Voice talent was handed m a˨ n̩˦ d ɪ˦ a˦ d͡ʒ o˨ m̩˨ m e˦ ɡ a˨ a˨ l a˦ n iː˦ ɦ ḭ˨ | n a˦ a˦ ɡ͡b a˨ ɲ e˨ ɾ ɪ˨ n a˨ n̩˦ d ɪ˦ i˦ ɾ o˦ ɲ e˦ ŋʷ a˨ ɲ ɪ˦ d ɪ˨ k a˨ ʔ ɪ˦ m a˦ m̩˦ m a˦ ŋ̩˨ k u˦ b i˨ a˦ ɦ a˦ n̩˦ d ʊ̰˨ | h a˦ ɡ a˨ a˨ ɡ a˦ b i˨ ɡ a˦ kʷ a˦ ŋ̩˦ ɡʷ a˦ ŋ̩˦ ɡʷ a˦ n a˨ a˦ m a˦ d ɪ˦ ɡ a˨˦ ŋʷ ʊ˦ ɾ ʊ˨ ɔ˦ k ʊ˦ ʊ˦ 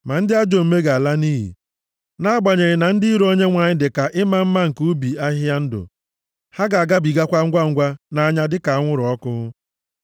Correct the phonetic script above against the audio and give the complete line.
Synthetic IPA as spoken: m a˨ n̩˦ d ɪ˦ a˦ d͡ʒ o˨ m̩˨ m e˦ ɡ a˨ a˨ l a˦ n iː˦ ɦ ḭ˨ | n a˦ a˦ ɡ͡b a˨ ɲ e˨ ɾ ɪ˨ n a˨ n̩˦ d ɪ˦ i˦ ɾ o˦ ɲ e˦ ŋʷ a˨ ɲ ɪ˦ d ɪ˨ k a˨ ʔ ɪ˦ m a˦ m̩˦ m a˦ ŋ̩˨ k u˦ b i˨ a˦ ɦ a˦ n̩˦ d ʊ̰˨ | h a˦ ɡ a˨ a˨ ɡ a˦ b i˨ ɡ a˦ kʷ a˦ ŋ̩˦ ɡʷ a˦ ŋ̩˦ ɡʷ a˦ n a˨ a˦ ɲ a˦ d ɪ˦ k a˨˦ ŋʷ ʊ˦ ɾ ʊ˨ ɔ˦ k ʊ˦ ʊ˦